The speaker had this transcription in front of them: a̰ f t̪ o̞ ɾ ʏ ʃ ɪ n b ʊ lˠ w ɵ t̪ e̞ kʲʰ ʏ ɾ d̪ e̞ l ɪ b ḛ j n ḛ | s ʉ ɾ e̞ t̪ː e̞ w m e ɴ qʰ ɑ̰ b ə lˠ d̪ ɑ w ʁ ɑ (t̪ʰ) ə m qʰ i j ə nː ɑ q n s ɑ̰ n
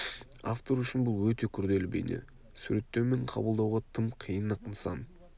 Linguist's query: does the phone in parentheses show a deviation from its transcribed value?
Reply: no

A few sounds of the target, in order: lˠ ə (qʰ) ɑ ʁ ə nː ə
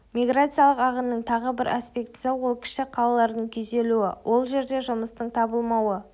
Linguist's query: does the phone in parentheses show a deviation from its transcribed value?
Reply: yes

